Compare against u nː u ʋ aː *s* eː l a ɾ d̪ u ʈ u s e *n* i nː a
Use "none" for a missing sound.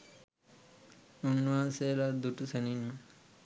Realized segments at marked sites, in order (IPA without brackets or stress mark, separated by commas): s, n